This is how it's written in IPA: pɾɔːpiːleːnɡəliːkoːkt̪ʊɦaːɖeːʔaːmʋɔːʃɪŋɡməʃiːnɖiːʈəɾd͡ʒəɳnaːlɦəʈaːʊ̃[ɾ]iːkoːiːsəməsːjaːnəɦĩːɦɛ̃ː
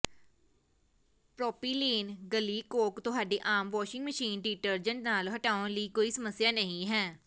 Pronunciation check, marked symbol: incorrect: l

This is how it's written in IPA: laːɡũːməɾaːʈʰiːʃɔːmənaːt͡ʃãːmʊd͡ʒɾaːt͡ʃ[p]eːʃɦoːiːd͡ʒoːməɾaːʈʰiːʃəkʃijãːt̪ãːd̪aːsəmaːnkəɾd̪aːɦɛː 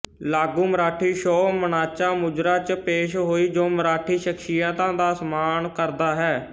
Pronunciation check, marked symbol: correct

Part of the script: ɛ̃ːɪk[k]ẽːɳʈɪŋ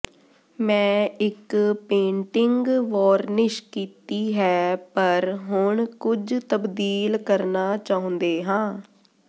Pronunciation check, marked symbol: incorrect: p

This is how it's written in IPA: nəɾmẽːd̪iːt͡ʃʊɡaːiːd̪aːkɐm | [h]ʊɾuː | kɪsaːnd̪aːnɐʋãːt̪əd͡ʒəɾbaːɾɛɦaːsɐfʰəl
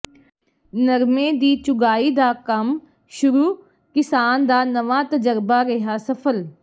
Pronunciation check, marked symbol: incorrect: ʃ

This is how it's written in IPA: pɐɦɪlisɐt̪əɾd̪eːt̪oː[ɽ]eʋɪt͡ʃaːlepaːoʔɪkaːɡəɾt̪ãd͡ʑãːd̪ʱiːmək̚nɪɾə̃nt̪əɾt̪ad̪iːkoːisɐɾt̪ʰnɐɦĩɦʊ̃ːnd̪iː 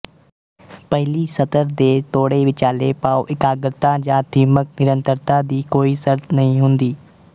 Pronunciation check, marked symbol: correct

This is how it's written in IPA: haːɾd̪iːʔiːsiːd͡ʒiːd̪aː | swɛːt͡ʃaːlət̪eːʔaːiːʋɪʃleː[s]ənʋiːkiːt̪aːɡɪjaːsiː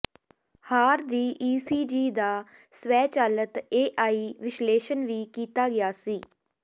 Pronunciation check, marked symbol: incorrect: ʃ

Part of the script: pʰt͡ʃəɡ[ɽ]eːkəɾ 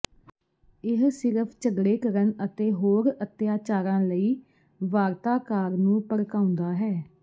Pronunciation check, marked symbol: correct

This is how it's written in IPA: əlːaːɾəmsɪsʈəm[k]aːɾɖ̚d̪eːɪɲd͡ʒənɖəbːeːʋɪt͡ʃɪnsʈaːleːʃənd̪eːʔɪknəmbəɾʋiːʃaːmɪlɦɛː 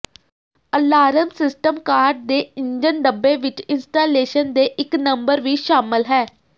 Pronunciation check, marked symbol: correct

